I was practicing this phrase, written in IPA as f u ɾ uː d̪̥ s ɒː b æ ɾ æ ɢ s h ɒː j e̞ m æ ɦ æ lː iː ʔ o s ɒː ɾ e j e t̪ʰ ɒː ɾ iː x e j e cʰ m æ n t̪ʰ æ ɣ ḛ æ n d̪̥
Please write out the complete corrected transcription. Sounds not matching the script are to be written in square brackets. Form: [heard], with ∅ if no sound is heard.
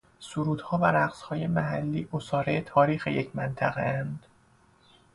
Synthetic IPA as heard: [s] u ɾ uː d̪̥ [h] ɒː [v] æ ɾ æ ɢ s h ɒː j e̞ m æ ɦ æ lː iː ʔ o s ɒː ɾ e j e t̪ʰ ɒː ɾ iː x e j e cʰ m æ n t̪ʰ æ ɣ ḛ æ n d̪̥